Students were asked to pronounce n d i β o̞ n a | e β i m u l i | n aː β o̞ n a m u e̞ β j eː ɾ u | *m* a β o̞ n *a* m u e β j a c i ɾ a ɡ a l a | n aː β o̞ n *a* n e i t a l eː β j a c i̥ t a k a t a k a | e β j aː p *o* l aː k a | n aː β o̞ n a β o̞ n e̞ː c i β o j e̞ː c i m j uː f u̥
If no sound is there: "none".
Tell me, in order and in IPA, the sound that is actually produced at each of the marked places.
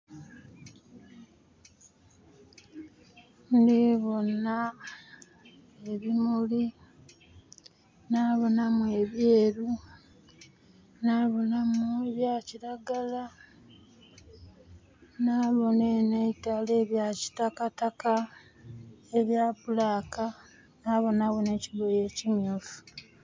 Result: n, a, e, u

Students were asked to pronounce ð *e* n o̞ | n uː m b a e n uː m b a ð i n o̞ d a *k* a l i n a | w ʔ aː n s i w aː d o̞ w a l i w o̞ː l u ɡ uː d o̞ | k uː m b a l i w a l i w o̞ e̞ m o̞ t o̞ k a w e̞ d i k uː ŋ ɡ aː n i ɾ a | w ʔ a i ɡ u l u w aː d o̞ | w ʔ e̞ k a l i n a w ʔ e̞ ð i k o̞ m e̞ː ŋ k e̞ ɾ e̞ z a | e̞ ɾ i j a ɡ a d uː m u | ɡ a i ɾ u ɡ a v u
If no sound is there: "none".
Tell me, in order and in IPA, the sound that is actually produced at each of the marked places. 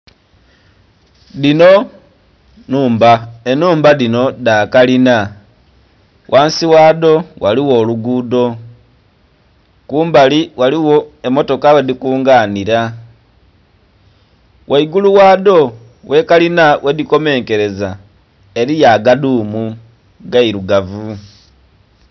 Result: i, k

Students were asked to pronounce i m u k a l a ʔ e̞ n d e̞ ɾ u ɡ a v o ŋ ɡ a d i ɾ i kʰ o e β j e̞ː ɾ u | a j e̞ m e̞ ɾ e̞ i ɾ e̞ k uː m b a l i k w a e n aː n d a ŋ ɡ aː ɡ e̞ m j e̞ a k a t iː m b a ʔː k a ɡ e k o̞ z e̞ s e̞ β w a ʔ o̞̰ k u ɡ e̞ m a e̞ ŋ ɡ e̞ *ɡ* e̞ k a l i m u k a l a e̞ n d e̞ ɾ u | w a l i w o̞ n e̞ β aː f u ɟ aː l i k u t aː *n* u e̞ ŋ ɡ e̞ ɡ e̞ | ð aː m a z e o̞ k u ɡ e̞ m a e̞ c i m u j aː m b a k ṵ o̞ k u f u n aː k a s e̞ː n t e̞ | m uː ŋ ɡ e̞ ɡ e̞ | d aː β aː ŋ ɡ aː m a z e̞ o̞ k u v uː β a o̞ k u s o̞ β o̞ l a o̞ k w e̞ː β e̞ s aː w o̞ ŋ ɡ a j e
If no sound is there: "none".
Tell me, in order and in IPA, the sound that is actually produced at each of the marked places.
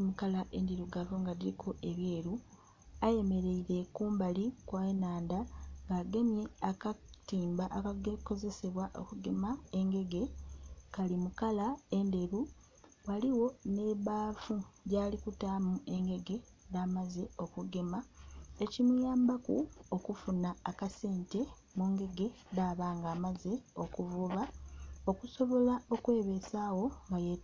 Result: ɡ, m

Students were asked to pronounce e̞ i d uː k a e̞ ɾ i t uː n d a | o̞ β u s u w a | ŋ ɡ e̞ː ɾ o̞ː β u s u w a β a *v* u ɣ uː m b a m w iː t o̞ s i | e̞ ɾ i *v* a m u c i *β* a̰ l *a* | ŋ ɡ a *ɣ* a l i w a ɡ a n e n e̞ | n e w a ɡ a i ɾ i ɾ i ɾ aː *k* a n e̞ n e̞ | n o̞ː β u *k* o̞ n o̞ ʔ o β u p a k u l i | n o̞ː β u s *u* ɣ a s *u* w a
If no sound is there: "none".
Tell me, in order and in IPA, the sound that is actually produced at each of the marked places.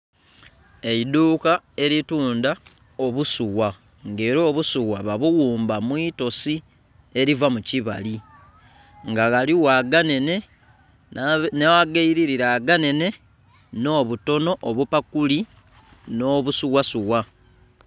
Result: β, v, β, i, ɣ, ɡ, t, u, u

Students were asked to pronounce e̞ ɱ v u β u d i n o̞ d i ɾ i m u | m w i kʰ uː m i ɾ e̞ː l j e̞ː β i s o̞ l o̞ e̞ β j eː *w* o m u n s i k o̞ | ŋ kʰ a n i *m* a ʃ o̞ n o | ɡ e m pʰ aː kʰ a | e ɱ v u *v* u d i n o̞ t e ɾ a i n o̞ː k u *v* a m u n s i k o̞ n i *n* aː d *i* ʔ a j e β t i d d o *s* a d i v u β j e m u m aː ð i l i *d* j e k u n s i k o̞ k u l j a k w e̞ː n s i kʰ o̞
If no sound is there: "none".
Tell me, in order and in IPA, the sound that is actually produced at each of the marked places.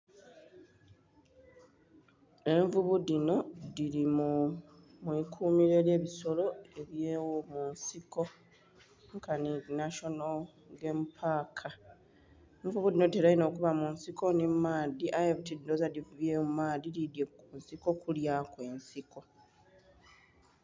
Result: w, n, β, β, m, i, z, d

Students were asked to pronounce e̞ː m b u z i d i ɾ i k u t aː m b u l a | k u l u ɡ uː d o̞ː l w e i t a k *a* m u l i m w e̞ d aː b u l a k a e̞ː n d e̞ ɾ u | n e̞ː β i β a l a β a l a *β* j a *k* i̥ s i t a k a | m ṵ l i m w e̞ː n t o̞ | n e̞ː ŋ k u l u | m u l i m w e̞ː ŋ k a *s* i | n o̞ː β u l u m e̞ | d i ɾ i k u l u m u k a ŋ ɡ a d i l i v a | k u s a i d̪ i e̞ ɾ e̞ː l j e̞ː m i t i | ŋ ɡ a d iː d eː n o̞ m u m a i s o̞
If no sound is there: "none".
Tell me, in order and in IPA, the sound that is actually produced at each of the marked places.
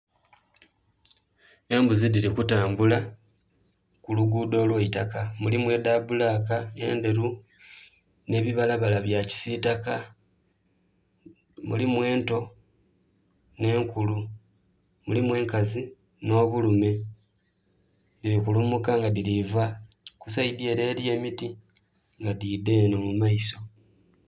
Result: a, β, c, z

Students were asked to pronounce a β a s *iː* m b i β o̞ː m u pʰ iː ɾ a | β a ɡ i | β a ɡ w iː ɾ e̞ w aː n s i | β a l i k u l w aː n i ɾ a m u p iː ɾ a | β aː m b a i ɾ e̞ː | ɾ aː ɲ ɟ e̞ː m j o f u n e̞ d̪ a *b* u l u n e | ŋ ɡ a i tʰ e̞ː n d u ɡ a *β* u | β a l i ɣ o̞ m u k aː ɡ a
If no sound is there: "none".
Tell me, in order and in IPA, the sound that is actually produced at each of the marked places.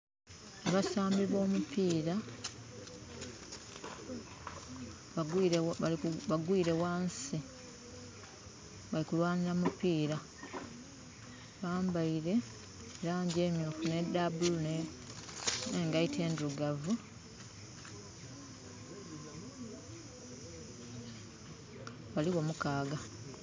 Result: aː, b, v

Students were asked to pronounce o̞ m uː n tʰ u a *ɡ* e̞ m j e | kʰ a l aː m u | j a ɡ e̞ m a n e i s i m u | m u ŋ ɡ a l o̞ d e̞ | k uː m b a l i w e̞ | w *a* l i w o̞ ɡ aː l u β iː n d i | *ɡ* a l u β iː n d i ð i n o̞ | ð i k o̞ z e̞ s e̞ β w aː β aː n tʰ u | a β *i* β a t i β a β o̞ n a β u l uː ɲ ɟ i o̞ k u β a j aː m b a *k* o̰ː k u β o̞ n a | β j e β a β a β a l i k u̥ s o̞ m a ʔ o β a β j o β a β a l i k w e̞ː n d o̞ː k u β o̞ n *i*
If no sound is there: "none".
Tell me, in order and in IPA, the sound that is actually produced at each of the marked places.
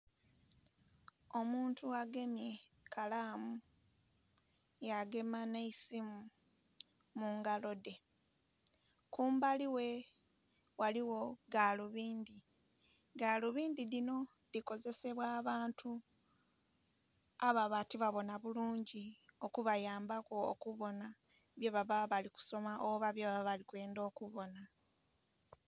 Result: ɡ, a, ɡ, a, k, a

